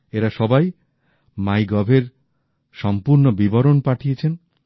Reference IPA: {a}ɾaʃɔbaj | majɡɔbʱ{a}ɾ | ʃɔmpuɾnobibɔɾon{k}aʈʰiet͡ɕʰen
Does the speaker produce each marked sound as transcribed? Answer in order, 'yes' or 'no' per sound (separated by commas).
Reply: no, no, no